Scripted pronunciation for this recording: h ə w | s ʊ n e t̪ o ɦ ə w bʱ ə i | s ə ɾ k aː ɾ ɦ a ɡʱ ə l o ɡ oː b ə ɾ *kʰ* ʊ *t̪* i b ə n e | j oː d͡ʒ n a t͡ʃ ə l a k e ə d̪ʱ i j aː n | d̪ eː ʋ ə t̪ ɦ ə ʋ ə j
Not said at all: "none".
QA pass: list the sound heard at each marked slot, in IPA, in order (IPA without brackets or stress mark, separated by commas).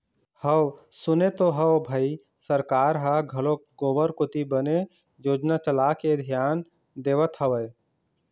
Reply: k, t̪